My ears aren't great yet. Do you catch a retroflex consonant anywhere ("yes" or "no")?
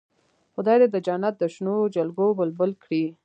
yes